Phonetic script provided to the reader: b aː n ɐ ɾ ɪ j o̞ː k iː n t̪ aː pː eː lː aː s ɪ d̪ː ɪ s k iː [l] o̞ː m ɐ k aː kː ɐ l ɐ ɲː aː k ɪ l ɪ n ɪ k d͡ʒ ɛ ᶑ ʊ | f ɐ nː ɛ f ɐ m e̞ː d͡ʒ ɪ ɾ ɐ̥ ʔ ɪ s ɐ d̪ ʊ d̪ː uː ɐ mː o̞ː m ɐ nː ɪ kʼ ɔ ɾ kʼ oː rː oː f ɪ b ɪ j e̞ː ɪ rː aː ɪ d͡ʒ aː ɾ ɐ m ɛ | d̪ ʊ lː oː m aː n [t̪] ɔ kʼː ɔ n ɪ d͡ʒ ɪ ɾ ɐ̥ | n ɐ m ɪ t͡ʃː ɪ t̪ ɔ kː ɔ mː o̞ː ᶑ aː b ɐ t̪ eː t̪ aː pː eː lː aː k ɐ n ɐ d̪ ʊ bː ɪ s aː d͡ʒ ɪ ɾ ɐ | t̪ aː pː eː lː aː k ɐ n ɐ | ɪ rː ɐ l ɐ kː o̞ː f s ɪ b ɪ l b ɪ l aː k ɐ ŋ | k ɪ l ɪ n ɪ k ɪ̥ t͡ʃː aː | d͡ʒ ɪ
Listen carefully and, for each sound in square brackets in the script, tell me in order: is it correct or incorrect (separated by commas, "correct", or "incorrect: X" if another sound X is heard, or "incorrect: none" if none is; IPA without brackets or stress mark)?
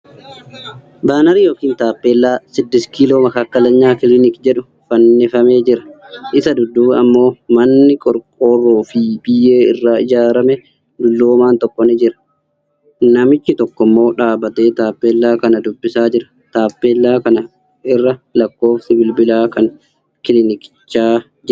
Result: correct, correct